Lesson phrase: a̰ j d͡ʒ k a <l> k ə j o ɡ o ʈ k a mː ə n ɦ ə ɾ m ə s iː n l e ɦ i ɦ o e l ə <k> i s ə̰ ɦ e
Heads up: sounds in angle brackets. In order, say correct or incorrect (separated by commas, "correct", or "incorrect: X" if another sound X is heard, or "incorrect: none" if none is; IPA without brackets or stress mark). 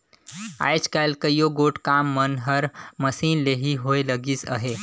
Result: correct, incorrect: ɡ